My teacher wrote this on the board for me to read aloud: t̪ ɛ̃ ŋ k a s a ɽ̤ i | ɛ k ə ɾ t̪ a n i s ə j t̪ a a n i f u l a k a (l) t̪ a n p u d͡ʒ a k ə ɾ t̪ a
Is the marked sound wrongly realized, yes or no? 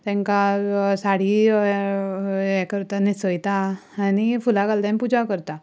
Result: no